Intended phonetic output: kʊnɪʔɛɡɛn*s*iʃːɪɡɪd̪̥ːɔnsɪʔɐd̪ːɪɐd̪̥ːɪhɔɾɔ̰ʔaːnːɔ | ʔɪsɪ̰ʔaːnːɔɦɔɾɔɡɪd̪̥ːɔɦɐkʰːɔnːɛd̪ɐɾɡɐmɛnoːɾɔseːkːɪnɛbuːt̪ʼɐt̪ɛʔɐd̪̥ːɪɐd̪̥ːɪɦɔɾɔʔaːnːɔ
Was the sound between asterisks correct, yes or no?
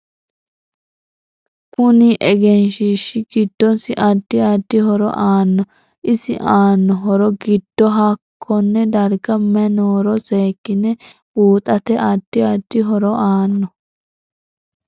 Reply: no